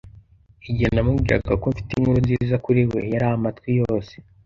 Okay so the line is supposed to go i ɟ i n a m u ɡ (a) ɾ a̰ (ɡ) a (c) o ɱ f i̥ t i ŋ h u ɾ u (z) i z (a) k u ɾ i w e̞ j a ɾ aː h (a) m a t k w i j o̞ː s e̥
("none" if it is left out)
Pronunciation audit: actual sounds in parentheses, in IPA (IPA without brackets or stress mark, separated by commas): i, ɡ, k, z, a, a